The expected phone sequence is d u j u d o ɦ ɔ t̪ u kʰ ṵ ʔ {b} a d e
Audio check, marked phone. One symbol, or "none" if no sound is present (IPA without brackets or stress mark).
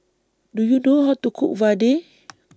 v